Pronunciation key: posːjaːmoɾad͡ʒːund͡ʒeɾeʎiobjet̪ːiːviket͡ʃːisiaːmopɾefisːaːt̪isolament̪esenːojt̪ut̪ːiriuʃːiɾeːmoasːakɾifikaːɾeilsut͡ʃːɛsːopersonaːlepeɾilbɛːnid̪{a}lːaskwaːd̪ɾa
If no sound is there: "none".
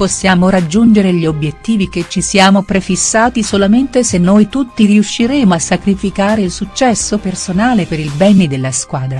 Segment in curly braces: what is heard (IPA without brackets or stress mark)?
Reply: e